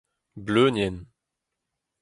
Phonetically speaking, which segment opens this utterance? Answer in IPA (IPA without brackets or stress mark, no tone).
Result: b